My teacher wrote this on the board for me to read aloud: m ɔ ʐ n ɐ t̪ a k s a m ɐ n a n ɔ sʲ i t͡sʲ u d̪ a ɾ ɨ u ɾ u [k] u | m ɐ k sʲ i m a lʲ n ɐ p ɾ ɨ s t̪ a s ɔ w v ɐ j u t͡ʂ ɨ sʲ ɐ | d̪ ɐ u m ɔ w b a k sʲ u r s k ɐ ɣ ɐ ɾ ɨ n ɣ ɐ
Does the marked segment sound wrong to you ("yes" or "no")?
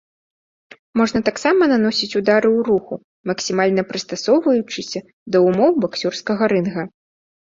yes